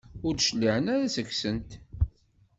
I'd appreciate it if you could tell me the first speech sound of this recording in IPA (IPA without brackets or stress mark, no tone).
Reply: ʊ